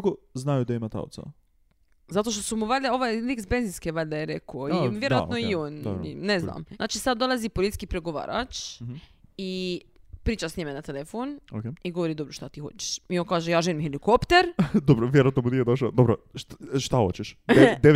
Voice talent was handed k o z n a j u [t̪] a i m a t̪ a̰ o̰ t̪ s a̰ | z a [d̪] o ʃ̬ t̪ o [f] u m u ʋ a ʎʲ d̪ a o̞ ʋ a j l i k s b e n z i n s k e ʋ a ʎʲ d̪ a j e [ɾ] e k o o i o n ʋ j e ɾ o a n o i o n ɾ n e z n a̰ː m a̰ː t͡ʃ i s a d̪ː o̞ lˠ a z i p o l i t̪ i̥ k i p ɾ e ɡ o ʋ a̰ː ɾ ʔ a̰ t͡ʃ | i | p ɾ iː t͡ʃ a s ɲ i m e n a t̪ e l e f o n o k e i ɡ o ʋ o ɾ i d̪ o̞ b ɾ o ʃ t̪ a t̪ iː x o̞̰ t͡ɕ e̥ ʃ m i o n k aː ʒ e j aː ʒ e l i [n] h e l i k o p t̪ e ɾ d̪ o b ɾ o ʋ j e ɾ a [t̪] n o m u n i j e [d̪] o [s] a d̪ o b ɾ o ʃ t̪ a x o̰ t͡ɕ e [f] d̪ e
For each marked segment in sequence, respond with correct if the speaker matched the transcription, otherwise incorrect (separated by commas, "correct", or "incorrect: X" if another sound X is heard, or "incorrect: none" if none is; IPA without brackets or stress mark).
incorrect: d̪, incorrect: t̪, incorrect: s, correct, incorrect: m, correct, correct, incorrect: ʃ, incorrect: ʃ